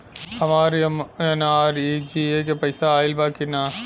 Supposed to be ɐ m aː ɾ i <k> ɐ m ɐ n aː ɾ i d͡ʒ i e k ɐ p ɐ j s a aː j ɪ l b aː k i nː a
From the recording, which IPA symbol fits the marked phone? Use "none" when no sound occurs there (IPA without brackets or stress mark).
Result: none